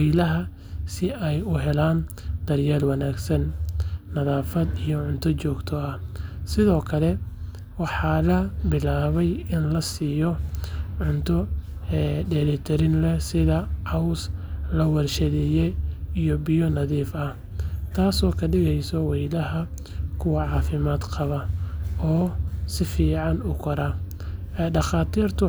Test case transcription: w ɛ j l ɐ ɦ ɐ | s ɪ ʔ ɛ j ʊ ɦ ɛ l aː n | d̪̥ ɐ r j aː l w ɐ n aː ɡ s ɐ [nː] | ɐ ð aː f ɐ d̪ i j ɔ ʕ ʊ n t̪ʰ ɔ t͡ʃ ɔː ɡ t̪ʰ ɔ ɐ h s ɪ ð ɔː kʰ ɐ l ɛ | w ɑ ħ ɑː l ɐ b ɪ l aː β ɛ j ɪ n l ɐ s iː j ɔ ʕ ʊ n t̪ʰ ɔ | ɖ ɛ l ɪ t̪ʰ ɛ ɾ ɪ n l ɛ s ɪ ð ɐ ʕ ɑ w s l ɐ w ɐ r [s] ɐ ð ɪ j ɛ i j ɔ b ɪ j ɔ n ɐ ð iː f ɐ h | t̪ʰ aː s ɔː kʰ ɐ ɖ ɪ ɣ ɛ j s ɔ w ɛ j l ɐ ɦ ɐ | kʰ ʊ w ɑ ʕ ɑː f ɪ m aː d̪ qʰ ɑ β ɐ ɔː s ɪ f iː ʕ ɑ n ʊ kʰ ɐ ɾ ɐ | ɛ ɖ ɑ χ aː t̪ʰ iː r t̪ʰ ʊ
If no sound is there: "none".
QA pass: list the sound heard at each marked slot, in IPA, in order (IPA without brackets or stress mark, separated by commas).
nː, ʃ